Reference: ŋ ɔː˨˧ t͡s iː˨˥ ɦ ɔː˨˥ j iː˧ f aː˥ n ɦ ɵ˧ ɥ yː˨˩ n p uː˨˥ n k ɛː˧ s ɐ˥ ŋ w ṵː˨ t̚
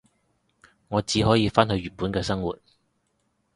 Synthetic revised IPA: ŋ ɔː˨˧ t͡s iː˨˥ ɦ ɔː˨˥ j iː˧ f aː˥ n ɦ ɵ˧ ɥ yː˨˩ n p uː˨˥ n k ɛː˧ s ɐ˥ ŋ w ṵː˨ t̚